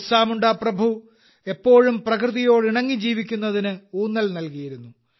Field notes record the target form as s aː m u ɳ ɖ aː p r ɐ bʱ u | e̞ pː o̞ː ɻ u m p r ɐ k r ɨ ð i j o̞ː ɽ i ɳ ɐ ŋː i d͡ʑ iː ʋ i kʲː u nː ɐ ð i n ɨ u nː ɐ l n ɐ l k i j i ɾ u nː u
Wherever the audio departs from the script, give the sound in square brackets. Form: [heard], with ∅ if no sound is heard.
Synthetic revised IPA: s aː m u ɳ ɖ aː p r ɐ bʱ u | e̞ pː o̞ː ɻ u m p r ɐ k r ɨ ð i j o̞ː ɽ i ɳ ɐ ŋː i d͡ʑ iː ʋ i kʲː u nː ɐ ð i n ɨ [uː] nː ɐ l n ɐ l k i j i ɾ u nː u